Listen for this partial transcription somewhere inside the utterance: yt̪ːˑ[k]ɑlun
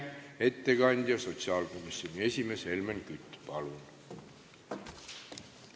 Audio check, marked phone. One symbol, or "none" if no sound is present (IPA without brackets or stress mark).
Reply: p